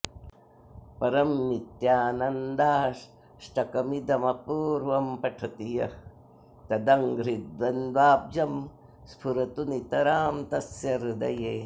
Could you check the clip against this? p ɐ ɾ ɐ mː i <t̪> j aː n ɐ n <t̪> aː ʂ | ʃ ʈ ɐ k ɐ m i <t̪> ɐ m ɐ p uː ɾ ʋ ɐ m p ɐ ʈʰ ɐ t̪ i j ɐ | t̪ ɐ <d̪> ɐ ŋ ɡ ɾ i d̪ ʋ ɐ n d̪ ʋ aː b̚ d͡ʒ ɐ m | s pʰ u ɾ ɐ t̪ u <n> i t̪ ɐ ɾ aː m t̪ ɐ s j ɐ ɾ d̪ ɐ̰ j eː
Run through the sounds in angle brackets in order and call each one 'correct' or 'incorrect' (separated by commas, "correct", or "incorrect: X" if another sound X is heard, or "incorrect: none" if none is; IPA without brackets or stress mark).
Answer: correct, incorrect: d̪, incorrect: d̪, correct, correct